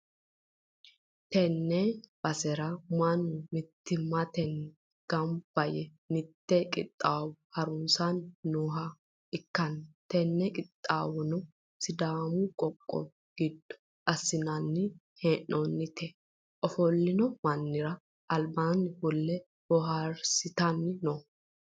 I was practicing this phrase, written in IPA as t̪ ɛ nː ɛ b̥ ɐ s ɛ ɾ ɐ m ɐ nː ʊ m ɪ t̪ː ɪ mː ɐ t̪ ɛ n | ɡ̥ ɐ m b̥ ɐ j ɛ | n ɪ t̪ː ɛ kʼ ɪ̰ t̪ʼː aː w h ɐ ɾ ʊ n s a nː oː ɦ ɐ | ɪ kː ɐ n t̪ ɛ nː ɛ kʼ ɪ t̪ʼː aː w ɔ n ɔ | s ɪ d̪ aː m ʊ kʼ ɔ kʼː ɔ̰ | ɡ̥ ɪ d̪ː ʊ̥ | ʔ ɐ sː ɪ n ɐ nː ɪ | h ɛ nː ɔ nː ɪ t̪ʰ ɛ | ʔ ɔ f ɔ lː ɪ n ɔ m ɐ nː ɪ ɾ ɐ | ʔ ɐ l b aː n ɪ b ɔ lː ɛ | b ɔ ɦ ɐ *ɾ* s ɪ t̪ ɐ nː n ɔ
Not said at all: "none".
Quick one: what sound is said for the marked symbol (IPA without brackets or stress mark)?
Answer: ɾ